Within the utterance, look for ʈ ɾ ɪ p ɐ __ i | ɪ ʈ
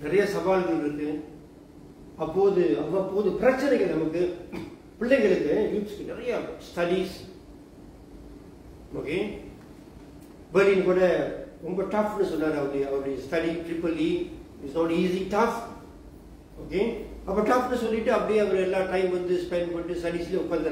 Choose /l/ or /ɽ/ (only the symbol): l